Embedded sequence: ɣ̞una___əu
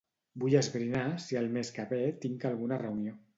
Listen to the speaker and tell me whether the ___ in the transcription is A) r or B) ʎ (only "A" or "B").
A